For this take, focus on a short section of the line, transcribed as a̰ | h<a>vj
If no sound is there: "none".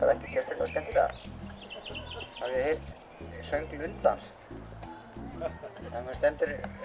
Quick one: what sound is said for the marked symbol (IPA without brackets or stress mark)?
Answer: a